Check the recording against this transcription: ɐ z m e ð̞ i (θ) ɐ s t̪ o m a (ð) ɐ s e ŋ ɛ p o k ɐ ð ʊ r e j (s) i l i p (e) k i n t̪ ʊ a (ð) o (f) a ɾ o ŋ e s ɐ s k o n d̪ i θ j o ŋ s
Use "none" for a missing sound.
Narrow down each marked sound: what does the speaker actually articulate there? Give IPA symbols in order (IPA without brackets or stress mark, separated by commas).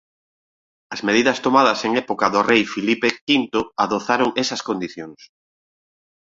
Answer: ð, ð, f, e, ð, θ